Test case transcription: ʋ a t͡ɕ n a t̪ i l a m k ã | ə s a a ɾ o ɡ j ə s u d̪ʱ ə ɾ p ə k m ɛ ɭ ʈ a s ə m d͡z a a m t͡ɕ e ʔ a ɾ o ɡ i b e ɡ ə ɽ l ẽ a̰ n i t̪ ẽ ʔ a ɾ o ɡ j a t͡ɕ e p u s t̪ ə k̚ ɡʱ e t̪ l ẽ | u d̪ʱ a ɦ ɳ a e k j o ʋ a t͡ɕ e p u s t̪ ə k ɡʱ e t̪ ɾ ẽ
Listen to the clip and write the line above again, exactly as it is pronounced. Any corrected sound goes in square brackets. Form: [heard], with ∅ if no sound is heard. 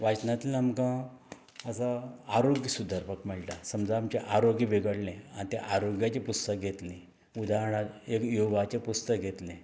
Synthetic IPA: ʋ a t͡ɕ n a t̪ i l a m k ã | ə s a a ɾ o ɡ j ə s u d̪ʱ ə ɾ p ə k m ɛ ɭ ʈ a s ə m d͡z a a m t͡ɕ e ʔ a ɾ o ɡ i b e ɡ ə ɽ l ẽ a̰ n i t̪ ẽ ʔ a ɾ o ɡ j a t͡ɕ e p u s t̪ ə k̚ ɡʱ e t̪ l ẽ | u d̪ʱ a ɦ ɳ a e k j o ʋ a t͡ɕ e p u s t̪ ə k ɡʱ e t̪ [l] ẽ